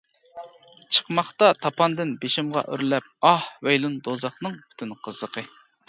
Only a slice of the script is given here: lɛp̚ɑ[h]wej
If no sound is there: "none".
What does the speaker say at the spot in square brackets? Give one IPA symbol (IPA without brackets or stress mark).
h